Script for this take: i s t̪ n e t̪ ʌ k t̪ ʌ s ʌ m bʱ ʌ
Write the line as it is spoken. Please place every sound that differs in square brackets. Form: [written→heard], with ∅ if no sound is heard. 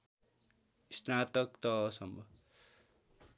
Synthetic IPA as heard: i s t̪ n [e→a] t̪ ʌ k t̪ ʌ s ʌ m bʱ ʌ